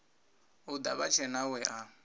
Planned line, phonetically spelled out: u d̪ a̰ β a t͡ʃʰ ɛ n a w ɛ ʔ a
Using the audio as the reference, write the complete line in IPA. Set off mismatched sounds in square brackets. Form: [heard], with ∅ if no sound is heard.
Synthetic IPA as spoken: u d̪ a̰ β a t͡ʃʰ ɛ n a w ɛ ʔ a

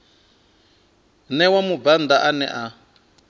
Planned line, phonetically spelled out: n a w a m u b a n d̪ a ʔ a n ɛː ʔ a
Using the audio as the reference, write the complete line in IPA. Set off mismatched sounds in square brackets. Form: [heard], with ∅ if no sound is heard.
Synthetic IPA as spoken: n [ɛ] w a m u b a n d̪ a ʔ a n [ɛ] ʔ a

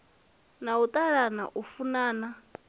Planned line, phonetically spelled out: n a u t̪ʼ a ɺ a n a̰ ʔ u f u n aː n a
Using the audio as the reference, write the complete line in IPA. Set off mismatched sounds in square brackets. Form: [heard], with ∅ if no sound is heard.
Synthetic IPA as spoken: n a u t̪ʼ a ɺ a n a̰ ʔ u f u n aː n a

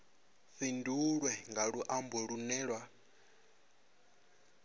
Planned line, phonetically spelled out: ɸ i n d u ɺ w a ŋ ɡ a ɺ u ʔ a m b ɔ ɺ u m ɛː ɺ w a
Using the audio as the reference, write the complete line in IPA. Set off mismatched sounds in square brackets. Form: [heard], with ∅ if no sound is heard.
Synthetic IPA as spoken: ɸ i n d u ɺ w [ɛ] ŋ ɡ a ɺ u ʔ a m b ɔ ɺ u [n] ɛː ɺ w a

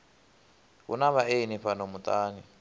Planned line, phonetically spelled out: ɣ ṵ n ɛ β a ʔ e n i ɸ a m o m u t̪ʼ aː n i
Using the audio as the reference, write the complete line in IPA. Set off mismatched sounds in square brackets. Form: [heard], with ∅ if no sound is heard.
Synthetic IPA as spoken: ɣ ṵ n [a] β a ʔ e n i ɸ a [n] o m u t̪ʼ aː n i

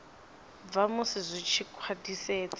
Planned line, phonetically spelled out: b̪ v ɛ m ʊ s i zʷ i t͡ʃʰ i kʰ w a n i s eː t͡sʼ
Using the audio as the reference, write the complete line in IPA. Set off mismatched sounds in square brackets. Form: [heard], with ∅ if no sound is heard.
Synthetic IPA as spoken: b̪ v [a] m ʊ s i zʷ i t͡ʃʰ i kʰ w a [d] i s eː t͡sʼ

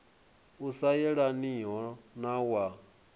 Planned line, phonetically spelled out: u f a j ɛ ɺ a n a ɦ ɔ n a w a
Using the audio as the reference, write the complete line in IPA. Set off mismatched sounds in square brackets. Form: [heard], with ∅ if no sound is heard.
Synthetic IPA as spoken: u [s] a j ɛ ɺ a n [i] ɦ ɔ n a w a

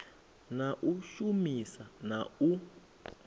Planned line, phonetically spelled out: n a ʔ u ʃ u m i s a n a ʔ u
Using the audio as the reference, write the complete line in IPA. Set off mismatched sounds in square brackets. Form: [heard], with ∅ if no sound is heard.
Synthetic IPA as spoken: n a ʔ u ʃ u m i s a n a [∅] u

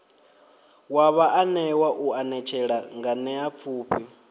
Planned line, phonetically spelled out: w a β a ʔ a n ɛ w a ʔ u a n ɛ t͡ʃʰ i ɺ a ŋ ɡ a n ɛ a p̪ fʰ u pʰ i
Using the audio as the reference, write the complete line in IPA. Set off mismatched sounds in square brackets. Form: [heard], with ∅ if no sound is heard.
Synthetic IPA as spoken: w a β a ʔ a n ɛ w a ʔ u a n ɛ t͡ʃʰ [ɛ] ɺ a ŋ ɡ a n ɛ a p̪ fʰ [uː] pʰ i

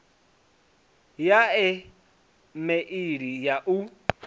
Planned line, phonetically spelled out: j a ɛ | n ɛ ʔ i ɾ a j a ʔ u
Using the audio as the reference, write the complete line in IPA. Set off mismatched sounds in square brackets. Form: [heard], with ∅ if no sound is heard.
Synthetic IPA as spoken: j a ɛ | [m] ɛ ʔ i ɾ [i] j a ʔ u

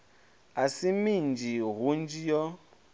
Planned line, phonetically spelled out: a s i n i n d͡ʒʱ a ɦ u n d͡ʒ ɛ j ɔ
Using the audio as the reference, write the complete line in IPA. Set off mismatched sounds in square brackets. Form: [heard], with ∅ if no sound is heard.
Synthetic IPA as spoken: a s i [m] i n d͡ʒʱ [i] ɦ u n d͡ʒ [i] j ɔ

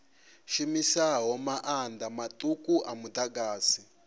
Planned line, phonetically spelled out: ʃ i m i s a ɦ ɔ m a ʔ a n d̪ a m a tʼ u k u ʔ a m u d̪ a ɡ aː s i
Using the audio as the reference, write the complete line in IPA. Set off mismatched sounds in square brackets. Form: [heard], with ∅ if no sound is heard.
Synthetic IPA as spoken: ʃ i m i s a ɦ ɔ m a ʔ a n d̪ a m a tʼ u k u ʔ a m u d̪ a ɡ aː s i

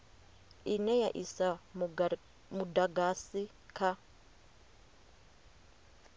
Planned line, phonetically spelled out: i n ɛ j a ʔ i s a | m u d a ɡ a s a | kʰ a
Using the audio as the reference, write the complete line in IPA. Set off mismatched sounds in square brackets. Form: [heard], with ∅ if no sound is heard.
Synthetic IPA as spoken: i n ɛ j a ʔ i s a | m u d a ɡ a s [i] | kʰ a

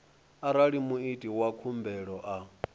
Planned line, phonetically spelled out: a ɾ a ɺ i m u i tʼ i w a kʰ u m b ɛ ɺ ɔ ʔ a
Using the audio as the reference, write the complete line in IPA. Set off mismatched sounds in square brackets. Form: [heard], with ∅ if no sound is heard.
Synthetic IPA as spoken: a ɾ a ɺ i m u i tʼ i w a kʰ u m b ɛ ɺ ɔ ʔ a

